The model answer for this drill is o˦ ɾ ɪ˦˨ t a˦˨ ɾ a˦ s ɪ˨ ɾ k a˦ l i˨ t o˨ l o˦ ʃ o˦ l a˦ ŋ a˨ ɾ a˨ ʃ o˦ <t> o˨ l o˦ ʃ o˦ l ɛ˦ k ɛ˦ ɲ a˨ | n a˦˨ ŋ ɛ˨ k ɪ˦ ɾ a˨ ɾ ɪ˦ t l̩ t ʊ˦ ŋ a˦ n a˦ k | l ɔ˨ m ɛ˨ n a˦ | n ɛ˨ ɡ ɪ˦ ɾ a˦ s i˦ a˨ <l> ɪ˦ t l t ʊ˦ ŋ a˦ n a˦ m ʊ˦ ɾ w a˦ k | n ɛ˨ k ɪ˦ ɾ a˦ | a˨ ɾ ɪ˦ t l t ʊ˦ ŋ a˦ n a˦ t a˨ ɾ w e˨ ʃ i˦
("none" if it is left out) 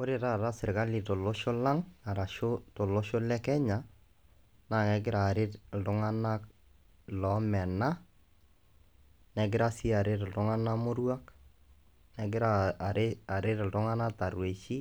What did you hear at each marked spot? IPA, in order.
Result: t, ɾ

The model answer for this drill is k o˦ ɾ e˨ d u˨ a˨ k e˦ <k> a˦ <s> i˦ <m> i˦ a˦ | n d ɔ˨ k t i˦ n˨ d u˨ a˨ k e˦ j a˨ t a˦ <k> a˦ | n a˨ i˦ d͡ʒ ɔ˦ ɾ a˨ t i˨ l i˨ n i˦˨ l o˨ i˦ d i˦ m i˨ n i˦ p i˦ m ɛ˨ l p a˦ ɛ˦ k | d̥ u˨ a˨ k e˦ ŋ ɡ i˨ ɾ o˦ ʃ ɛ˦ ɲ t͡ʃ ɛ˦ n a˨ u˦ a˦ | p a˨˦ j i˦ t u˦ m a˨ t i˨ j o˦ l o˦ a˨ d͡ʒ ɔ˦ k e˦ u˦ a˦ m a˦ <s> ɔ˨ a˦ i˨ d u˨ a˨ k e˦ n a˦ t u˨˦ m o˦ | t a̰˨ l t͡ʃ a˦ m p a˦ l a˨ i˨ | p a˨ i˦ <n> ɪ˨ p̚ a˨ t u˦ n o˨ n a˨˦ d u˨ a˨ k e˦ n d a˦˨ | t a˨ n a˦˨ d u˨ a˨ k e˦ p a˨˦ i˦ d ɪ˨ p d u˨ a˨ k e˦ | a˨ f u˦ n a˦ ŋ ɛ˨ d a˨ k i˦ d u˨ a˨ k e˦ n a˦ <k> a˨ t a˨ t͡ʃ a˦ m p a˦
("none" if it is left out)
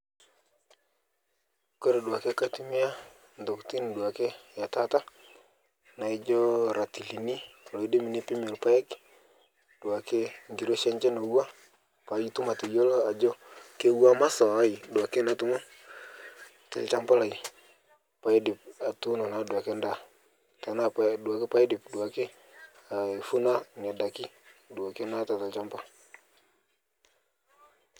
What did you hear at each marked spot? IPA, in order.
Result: k, t, m, t, s, d, t

